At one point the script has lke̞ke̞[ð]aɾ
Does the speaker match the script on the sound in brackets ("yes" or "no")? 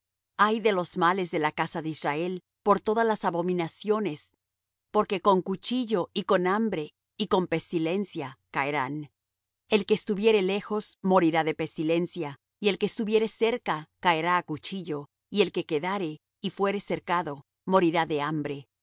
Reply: yes